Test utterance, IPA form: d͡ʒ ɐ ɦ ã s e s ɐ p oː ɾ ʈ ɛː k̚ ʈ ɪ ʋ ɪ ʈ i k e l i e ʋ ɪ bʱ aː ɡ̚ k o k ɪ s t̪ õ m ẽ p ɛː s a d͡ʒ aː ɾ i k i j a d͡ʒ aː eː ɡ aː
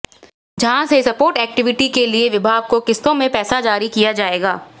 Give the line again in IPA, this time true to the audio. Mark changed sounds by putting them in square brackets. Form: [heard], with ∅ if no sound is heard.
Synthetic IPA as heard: d͡ʒ ɐ ɦ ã s e s ɐ p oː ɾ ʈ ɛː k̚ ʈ ɪ ʋ ɪ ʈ i k e l i e ʋ ɪ bʱ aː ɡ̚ k o k ɪ s t̪ õ m ẽ p ɛː s a d͡ʒ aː ɾ i k i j a d͡ʒ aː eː ɡ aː